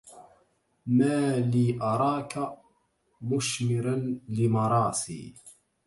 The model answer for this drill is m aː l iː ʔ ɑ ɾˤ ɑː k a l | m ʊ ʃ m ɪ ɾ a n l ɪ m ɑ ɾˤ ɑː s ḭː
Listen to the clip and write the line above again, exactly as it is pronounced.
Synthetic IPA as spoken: m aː l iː ʔ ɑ ɾˤ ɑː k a | m ʊ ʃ m ɪ ɾ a n l ɪ m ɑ ɾˤ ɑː s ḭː